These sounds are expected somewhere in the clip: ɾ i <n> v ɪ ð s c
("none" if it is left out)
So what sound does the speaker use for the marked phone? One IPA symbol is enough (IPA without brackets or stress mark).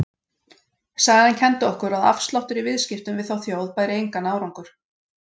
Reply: none